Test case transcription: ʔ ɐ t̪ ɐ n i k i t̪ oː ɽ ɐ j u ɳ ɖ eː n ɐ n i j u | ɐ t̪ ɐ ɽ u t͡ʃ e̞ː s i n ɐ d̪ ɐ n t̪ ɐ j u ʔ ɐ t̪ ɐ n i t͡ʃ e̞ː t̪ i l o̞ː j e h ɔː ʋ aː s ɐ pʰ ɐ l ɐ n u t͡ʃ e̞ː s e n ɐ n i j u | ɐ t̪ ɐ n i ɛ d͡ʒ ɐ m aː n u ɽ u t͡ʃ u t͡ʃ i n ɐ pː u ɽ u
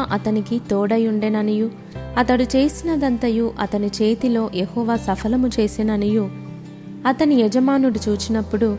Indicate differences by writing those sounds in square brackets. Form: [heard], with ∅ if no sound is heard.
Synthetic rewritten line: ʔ ɐ t̪ ɐ n i k i t̪ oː ɽ ɐ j u ɳ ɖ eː n ɐ n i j u | ɐ t̪ ɐ ɽ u t͡ʃ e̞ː s i n ɐ d̪ ɐ n t̪ ɐ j u ʔ ɐ t̪ ɐ n i t͡ʃ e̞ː t̪ i l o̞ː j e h ɔː ʋ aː s ɐ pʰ ɐ l ɐ [m] u t͡ʃ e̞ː s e n ɐ n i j u | ɐ t̪ ɐ n i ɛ d͡ʒ ɐ m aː n u ɽ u t͡ʃ [uː] t͡ʃ i n ɐ pː u ɽ u